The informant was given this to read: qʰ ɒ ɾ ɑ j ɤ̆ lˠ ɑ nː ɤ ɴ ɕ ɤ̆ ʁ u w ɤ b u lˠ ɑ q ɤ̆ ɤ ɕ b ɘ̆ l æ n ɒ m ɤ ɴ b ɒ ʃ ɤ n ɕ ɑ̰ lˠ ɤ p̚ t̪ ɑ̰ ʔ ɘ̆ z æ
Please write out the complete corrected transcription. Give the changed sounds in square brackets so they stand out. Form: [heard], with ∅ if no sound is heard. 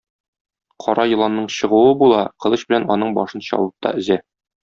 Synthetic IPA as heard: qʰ ɒ ɾ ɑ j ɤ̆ lˠ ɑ nː ɤ ɴ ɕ ɤ̆ ʁ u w ɤ b u lˠ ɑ q ɤ̆ ɤ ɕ b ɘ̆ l æ n ɒ [n] ɤ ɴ b ɒ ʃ ɤ n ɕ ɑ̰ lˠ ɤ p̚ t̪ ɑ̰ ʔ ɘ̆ z æ